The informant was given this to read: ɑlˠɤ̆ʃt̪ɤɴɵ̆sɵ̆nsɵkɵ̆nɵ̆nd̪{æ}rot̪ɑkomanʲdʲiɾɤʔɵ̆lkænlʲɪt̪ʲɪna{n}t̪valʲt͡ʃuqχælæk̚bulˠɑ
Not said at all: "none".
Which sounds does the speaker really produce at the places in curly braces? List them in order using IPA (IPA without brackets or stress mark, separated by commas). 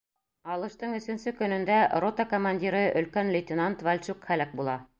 æ, n